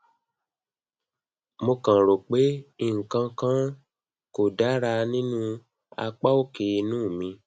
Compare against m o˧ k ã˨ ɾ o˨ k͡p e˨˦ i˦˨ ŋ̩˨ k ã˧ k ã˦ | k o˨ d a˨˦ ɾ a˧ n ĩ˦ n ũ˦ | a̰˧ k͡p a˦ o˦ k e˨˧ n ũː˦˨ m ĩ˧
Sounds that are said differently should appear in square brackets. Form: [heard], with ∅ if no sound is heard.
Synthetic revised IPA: m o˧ k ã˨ ɾ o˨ k͡p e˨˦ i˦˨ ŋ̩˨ k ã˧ k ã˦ | k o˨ d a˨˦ ɾ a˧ n ĩ˦ n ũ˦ | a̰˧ k͡p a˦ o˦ k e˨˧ n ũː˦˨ m ĩ˧